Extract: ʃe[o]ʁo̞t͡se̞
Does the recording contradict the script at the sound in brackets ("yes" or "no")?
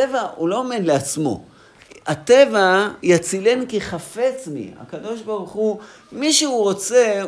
yes